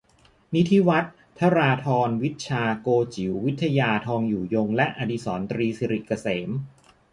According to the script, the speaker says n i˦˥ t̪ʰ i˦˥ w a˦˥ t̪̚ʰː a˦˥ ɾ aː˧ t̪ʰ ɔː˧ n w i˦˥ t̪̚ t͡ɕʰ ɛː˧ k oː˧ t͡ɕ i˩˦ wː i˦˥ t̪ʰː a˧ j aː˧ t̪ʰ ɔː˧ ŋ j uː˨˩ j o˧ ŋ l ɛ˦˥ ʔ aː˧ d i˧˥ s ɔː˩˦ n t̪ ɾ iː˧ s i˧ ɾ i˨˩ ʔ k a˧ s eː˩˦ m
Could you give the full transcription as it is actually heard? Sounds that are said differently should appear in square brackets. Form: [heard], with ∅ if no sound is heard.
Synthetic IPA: n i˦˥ t̪ʰ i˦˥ w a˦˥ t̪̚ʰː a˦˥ ɾ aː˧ t̪ʰ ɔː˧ n w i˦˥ t̪̚ t͡ɕʰ [aː˧] k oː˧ t͡ɕ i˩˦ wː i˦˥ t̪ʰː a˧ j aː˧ t̪ʰ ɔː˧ ŋ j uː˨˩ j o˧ ŋ l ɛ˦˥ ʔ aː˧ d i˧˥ s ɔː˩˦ n t̪ ɾ iː˧ s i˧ ɾ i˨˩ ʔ k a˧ s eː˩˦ m